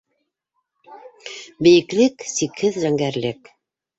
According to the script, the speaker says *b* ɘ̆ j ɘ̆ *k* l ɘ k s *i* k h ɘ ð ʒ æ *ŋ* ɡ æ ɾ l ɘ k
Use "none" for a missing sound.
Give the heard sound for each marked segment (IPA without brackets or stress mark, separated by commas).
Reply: b, k, i, ŋ